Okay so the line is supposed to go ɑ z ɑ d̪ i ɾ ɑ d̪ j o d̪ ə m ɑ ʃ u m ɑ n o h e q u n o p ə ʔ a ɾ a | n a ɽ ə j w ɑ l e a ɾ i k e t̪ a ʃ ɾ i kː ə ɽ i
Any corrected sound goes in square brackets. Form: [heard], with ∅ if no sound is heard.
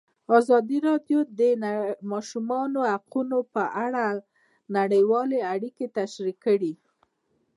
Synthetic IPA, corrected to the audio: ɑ z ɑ d̪ i ɾ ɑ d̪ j o d̪ ə m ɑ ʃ u m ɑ n o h [a] q u n o p ə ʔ a [ɽ] a | n a ɽ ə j w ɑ l e a [ɽ] i k e t̪ a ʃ ɾ i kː ə ɽ i